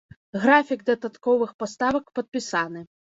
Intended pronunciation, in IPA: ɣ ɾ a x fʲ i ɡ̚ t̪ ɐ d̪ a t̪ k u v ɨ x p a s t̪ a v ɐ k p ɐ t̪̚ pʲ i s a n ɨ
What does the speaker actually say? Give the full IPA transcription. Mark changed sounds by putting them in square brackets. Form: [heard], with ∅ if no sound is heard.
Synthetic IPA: ɣ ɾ a [∅] fʲ i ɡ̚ [d̪] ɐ d̪ a t̪ k [ɔ] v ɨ x p a s t̪ a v ɐ k p ɐ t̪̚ pʲ i s a n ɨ